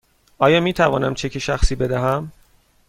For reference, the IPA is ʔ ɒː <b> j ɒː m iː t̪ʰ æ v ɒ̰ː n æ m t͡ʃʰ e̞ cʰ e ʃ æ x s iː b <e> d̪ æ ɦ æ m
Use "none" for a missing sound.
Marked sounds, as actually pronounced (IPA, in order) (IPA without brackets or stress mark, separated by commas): none, e